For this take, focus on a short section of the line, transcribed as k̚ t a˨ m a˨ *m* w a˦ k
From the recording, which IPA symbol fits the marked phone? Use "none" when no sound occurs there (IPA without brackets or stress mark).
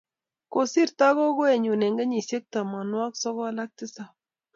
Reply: n